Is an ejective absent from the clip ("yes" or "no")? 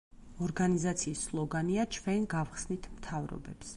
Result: yes